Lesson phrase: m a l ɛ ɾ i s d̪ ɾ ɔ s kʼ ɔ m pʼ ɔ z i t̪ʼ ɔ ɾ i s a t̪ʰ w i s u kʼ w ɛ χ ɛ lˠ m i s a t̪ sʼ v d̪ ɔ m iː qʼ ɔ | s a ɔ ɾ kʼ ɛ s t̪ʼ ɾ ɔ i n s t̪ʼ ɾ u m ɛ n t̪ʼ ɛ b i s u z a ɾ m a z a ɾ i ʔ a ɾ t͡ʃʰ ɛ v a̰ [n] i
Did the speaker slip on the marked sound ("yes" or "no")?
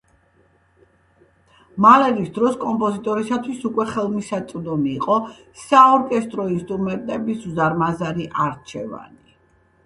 no